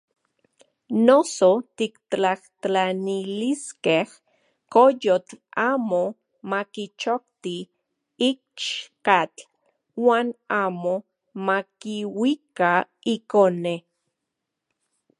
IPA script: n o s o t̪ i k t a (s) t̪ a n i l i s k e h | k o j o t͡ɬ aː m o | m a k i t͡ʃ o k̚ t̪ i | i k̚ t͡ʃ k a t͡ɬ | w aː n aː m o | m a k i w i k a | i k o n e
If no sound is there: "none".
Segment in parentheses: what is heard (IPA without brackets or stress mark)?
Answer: h